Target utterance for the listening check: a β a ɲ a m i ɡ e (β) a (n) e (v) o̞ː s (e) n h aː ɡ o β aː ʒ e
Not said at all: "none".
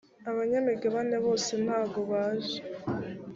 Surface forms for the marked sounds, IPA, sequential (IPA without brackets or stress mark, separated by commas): β, n, β, e